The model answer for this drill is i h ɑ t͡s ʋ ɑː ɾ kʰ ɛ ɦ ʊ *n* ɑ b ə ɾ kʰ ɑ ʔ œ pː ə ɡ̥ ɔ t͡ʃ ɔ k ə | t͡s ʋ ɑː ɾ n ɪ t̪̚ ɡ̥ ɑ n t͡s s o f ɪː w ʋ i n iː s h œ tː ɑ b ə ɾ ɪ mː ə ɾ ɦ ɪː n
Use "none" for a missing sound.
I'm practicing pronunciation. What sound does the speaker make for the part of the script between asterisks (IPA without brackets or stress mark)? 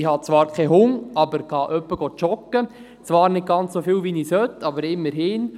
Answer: ŋ